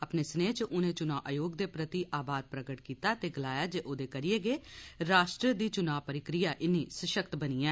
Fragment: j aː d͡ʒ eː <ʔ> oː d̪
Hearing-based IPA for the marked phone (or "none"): ʔ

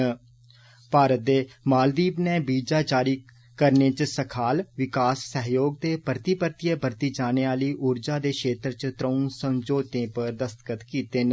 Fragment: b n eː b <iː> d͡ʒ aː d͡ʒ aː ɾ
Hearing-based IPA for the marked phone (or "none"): iː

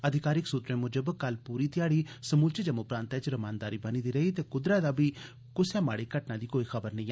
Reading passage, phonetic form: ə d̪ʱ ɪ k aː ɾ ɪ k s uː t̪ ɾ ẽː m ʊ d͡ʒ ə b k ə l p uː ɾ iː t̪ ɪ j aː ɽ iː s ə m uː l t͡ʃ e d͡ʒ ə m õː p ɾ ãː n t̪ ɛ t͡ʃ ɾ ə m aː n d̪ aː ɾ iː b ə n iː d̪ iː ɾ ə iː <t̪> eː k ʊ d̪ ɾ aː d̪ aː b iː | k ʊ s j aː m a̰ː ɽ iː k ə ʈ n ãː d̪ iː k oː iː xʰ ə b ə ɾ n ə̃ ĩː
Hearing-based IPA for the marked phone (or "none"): t̪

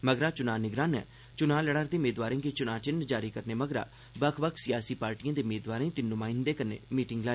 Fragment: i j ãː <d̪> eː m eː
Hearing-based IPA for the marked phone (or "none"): d̪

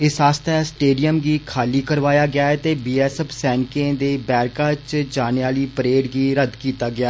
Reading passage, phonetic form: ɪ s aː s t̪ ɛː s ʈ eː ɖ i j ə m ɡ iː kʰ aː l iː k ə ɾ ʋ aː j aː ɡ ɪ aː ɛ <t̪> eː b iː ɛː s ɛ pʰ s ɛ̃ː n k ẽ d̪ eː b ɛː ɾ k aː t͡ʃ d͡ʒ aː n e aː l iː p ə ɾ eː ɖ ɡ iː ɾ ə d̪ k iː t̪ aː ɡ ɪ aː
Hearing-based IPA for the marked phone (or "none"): t̪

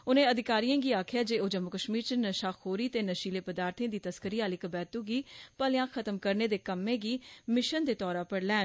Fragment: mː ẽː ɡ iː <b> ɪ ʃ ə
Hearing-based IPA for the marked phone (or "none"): m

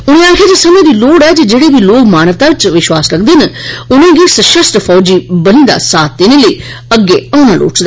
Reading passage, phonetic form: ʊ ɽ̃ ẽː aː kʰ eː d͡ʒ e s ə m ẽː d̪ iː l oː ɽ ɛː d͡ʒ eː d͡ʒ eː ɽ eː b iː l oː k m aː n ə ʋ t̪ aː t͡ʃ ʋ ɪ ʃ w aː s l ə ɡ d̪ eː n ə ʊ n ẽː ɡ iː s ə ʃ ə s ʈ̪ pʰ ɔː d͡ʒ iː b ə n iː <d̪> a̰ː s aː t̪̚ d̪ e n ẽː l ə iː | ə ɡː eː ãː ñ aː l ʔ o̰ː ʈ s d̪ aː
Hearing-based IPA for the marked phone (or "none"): d̪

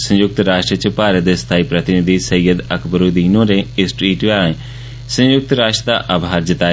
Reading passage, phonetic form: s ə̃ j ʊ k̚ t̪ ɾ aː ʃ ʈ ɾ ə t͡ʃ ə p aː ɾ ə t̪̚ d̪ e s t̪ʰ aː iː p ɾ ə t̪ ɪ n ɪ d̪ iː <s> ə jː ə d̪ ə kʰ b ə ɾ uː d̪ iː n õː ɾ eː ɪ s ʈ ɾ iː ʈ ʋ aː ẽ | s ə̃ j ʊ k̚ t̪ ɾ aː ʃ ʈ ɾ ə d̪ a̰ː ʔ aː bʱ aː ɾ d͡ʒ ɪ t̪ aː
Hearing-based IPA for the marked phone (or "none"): s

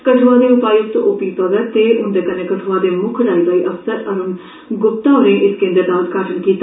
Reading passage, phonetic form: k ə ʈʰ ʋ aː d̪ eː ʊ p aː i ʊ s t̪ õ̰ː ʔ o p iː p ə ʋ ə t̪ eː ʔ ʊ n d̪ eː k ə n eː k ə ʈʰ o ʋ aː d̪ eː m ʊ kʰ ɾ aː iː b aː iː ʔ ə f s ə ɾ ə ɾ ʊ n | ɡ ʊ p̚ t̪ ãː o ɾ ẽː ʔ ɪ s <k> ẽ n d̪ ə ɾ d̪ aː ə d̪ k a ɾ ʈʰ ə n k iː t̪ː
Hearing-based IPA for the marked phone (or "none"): k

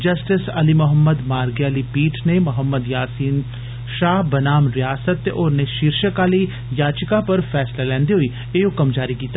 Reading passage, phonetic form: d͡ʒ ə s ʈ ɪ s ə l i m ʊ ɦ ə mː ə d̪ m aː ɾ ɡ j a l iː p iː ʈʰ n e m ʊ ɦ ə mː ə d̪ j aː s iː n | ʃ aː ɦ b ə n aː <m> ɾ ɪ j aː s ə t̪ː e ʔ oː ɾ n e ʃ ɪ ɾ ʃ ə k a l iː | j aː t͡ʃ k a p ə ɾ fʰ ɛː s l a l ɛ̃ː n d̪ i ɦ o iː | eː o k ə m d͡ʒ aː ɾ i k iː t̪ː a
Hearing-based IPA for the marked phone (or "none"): m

